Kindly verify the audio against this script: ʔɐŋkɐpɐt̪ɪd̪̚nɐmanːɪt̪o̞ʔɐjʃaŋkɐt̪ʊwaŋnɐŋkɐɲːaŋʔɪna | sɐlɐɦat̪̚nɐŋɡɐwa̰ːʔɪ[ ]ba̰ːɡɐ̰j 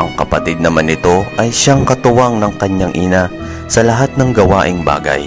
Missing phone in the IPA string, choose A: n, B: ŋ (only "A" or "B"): B